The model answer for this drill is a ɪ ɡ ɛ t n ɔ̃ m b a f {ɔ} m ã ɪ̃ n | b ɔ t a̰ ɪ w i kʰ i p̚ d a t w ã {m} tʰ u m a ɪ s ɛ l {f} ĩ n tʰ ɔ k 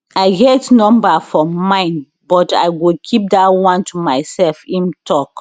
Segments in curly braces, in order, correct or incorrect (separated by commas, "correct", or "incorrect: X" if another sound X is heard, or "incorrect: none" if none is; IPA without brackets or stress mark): correct, incorrect: n, correct